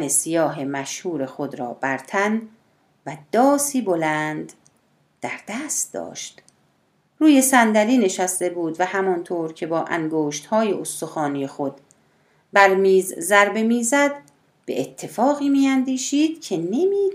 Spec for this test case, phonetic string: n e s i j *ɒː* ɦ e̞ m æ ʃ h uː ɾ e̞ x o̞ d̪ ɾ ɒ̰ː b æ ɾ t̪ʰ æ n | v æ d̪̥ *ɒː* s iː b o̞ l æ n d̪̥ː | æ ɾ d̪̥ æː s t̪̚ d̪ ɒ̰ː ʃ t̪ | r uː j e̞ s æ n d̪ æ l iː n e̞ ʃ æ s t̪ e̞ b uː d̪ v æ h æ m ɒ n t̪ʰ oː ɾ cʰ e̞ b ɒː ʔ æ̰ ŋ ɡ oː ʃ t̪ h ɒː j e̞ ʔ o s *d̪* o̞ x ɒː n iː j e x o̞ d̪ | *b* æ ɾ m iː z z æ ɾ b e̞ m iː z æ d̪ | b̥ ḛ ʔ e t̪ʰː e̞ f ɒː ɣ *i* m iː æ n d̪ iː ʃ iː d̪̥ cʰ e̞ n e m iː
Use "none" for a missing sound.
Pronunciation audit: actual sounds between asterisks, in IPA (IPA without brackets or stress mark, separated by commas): ɒː, ɒː, t̪, b, iː